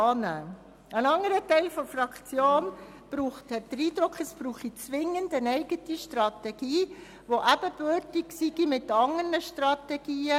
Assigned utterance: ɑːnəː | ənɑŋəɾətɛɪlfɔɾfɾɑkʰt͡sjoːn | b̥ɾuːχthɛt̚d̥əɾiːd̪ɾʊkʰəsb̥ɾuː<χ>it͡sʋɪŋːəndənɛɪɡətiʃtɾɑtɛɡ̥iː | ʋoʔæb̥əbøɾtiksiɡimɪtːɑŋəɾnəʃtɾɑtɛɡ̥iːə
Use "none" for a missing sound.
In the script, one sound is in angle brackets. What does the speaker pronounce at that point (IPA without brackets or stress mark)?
χ